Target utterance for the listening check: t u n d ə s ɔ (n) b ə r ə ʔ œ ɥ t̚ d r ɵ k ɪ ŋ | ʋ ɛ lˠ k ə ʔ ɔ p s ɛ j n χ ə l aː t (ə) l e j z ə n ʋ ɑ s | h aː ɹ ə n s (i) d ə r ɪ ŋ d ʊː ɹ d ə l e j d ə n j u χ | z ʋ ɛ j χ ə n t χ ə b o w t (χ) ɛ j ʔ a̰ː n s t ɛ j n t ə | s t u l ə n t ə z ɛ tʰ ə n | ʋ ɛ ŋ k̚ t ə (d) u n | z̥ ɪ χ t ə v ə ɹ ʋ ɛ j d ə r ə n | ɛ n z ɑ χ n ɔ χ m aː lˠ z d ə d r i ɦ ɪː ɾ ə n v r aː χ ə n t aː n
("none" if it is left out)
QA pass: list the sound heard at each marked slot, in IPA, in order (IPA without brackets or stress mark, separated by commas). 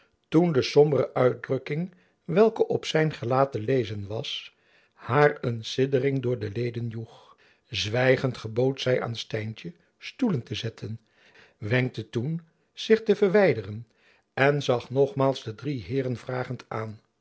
m, ə, ɪ, s, t